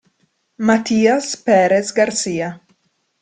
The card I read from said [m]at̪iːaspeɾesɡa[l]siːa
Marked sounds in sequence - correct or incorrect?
correct, incorrect

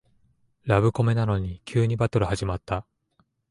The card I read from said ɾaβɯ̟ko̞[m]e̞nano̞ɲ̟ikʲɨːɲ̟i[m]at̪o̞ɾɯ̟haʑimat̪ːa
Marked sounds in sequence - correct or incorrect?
correct, incorrect

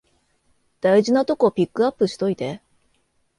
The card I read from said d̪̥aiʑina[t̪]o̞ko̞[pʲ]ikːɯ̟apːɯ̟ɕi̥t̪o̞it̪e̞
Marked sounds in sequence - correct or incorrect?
correct, correct

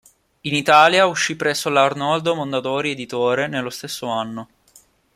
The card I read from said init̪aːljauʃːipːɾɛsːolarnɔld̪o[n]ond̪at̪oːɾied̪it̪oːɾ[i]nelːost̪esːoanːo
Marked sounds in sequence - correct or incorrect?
incorrect, incorrect

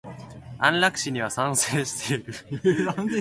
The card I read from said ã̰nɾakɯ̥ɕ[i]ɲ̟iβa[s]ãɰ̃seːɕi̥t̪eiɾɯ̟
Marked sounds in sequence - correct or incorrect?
correct, correct

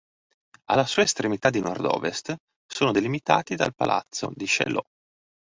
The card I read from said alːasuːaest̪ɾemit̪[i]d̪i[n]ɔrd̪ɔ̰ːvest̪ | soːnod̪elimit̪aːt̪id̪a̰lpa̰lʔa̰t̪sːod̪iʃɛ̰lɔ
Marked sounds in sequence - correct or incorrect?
incorrect, correct

